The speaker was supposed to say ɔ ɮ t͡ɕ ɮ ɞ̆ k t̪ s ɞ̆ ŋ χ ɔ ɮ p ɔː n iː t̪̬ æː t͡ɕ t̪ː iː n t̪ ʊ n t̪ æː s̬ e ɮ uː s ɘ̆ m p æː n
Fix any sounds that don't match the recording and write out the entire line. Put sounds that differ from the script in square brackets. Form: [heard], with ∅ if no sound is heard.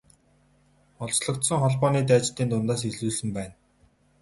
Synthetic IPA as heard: ɔ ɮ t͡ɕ ɮ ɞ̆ k t̪ s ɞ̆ ŋ χ ɔ ɮ p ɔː n iː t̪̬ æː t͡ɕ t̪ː iː n t̪ ʊ n t̪ [aː] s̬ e ɮ uː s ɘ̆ m p æː n

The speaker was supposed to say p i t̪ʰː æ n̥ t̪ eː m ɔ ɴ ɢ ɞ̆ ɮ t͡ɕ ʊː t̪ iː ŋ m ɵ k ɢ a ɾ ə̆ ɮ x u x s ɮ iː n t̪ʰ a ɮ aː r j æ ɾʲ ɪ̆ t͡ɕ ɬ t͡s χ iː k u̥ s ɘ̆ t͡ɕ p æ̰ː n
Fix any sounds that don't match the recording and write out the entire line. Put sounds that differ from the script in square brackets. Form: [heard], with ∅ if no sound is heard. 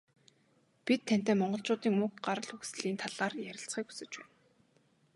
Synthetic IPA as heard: p i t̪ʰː æ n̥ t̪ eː m ɔ ɴ ɢ ɞ̆ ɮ t͡ɕ ʊː t̪ iː ŋ m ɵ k ɢ a ɾ ə̆ ɮ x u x s ɮ iː n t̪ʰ a ɮ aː r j æ ɾʲ ɪ̆ [∅] ɬ t͡s χ iː k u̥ s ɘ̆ t͡ɕ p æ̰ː n

